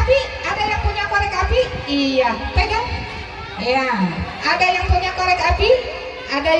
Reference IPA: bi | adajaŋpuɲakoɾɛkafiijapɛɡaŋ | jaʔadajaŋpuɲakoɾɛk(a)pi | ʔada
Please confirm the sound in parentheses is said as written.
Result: yes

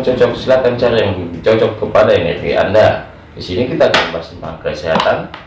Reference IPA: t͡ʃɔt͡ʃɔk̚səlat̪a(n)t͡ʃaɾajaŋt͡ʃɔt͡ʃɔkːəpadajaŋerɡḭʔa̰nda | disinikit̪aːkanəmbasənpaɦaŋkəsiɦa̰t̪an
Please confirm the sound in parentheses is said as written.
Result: yes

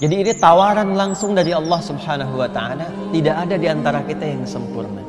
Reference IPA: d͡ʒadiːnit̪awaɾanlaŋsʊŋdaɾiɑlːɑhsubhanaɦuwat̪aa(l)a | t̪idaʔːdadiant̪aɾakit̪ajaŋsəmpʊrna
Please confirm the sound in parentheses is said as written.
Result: yes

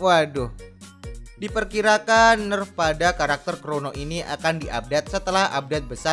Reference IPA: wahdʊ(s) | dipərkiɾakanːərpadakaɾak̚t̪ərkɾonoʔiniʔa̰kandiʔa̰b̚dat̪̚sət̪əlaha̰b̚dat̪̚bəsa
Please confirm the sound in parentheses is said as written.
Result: no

